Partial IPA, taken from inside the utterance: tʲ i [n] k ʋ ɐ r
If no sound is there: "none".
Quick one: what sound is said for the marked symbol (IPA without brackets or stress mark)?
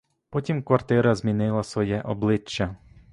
m